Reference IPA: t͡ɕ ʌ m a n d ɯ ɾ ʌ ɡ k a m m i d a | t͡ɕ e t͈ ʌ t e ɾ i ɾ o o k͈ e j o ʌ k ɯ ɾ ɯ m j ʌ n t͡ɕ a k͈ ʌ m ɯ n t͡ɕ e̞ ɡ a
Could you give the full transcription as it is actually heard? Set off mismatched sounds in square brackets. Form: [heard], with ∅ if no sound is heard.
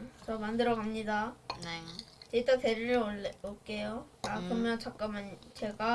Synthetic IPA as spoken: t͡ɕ ʌ m a n d ɯ ɾ ʌ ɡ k a m [ɲ] i d a | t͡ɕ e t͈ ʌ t e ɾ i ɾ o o k͈ e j o [a] k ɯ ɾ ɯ m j ʌ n t͡ɕ a k͈ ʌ m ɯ n t͡ɕ e̞ ɡ a